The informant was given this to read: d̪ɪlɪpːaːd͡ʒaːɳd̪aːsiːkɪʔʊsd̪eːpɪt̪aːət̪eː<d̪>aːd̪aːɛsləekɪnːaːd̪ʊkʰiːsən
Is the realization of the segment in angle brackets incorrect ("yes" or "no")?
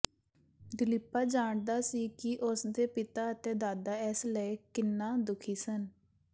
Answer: no